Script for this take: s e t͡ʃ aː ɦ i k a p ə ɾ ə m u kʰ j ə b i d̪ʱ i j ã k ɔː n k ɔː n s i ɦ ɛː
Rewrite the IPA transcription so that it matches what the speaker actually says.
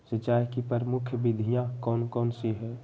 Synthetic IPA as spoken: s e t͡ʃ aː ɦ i k i p ə ɾ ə m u kʰ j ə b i d̪ʱ i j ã k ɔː n k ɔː n s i ɦ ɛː